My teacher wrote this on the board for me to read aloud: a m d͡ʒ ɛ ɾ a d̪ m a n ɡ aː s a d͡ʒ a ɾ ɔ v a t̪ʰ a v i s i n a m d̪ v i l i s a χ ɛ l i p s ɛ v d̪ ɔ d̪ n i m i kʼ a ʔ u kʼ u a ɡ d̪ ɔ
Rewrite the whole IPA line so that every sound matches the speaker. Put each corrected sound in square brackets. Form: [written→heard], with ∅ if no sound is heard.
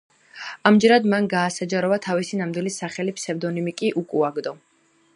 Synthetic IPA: a m d͡ʒ ɛ ɾ a d̪ m a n ɡ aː s a d͡ʒ a ɾ ɔ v a t̪ʰ a v i s i n a m d̪ [v→w] i l i s a χ ɛ l i p s ɛ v d̪ ɔ [d̪→∅] n i m i kʼ [a→i] ʔ u kʼ u a ɡ d̪ ɔ